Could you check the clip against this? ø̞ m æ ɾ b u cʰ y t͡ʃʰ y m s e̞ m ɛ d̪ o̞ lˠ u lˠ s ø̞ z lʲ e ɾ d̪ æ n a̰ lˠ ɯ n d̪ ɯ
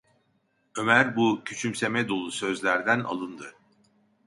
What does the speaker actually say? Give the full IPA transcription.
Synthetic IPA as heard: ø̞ m æ ɾ b u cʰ y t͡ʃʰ y m s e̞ m ɛ d̪ o̞ lˠ u s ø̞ z lʲ æ ɾ d̪ æ n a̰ lˠ ɯ n d̪ ɯ